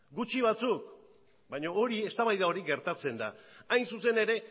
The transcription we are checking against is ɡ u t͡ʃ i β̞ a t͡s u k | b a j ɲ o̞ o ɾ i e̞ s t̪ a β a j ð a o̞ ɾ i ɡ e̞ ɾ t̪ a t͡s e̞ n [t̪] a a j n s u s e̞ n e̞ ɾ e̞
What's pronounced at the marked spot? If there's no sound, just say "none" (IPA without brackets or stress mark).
d̪